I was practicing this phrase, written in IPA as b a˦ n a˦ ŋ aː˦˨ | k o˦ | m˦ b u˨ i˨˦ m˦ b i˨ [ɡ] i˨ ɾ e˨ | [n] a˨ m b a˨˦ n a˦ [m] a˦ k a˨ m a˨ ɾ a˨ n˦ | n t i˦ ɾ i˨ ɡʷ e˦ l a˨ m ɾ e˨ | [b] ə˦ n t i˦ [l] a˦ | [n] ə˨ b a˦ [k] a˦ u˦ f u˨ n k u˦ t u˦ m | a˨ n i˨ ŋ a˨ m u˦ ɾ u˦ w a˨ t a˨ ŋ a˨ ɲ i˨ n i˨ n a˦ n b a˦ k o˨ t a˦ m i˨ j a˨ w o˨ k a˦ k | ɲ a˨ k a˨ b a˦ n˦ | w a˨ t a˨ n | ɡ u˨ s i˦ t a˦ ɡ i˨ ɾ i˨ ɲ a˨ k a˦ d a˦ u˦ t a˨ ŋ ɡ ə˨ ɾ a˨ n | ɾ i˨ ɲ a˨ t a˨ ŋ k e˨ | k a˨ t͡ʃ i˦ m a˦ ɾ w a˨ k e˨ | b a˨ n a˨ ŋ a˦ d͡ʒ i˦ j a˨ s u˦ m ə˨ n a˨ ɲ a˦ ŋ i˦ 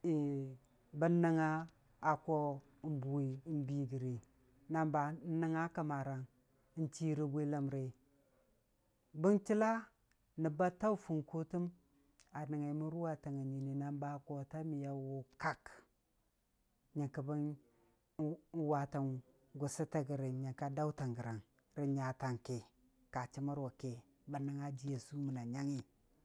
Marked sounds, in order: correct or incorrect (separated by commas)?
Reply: correct, correct, incorrect, correct, correct, correct, incorrect